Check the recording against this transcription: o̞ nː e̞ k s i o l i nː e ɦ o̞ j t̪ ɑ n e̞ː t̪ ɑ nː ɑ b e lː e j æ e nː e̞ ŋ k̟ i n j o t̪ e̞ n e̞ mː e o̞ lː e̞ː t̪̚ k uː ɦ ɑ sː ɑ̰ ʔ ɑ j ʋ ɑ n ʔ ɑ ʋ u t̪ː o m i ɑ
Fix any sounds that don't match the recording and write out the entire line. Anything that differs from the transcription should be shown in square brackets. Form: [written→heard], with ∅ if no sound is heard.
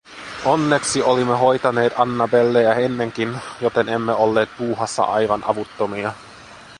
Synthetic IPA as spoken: o̞ nː e̞ k s i o l i [nː→mː] e ɦ o̞ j t̪ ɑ n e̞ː t̪ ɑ nː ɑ b e lː e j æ e nː e̞ ŋ k̟ i n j o t̪ e̞ n e̞ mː e o̞ lː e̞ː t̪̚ [k→p] uː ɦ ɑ sː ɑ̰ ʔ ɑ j ʋ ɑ n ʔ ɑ ʋ u t̪ː o m i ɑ